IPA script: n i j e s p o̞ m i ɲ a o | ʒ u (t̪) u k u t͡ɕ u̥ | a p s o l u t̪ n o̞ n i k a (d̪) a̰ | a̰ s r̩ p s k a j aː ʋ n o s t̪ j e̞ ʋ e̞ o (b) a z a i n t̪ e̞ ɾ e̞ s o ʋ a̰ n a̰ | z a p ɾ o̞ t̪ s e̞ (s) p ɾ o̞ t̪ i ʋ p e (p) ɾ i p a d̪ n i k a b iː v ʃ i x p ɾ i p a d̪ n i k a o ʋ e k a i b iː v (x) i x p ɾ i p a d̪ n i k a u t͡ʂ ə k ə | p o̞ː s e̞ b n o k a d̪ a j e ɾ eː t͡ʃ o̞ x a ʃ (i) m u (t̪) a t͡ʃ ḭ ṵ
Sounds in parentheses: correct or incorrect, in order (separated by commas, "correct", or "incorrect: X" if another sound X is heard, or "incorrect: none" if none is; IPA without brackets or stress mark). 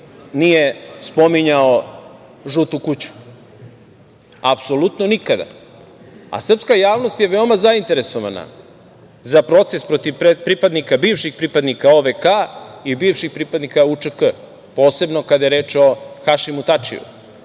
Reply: correct, correct, incorrect: m, correct, correct, incorrect: ʃ, correct, correct